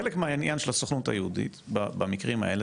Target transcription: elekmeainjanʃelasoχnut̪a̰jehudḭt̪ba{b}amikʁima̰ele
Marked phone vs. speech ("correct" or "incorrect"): correct